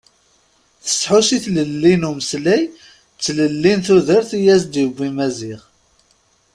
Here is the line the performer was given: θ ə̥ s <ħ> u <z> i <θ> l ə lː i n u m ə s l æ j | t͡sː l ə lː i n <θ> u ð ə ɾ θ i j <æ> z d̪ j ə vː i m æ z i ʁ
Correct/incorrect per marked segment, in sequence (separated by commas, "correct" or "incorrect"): correct, incorrect, correct, correct, correct